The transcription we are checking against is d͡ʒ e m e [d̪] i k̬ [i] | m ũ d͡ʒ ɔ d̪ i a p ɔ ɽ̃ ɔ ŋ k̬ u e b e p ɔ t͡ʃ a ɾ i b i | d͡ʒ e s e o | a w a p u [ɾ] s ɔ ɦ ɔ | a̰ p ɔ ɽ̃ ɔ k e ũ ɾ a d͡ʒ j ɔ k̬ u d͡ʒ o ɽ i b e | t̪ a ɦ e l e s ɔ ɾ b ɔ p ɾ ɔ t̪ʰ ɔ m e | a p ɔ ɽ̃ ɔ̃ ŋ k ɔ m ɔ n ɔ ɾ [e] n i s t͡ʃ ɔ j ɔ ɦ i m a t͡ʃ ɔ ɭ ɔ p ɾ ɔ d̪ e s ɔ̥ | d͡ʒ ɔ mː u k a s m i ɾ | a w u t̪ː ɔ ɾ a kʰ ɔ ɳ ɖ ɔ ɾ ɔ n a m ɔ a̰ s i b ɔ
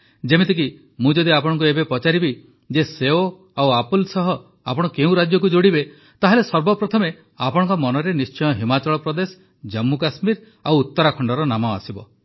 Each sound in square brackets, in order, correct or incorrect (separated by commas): incorrect, correct, incorrect, correct